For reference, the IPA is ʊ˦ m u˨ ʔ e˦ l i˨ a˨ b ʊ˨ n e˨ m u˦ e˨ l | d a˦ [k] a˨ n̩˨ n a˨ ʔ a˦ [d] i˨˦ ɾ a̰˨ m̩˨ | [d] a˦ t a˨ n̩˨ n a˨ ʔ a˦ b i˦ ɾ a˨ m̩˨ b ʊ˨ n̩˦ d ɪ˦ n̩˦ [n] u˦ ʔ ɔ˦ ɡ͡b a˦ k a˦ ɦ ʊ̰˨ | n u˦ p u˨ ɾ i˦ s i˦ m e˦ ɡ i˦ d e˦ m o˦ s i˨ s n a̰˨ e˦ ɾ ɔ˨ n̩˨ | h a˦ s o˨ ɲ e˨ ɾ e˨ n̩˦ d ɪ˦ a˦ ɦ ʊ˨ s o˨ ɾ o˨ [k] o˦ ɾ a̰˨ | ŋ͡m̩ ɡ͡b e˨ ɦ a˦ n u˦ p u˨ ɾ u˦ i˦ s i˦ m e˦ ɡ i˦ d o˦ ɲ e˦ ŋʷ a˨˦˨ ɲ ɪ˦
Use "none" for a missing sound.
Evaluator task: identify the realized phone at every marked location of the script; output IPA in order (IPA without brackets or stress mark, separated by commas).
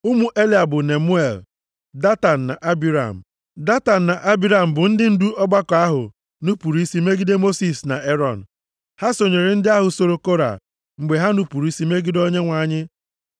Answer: t, b, d, d, k